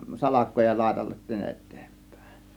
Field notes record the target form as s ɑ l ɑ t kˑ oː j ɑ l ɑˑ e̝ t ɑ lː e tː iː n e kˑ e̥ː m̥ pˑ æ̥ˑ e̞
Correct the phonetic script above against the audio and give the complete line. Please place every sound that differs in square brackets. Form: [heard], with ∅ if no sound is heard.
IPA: s ɑ l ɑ [∅] kˑ oː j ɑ l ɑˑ e̝ t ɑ lː e tː iː n e [tˑ] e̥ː m̥ pˑ æ̥ˑ e̞